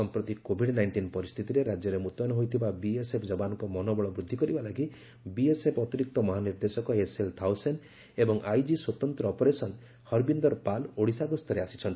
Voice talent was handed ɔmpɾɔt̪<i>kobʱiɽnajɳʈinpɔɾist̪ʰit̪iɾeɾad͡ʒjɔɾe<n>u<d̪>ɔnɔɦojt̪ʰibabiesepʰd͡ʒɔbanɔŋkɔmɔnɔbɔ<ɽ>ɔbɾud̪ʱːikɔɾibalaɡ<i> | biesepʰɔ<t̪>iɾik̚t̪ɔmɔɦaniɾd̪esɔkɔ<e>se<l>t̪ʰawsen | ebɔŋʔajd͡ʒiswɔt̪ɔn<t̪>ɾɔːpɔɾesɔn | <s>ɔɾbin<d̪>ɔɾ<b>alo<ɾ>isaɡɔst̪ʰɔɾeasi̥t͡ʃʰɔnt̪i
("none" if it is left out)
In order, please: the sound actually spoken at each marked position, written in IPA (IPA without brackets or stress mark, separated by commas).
i, m, t̪, ɭ, i, t̪, e, l, t̪, h, d̪, p, ɽ